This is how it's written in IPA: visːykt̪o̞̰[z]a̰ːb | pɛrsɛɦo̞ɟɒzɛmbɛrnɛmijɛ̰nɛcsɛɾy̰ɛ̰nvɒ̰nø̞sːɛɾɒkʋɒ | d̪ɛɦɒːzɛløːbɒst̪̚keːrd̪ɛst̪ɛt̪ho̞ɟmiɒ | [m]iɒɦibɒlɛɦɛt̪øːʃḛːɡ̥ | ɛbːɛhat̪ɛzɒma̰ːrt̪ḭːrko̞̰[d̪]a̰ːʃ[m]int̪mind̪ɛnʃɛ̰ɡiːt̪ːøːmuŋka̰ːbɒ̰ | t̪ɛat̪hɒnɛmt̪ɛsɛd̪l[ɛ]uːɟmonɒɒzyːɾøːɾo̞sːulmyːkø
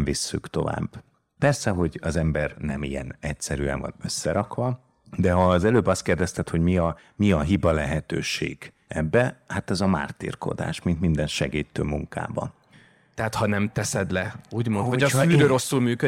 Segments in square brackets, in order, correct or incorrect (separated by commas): incorrect, correct, correct, correct, correct